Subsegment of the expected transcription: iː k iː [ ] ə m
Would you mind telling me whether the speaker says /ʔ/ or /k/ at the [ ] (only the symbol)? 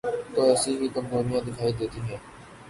k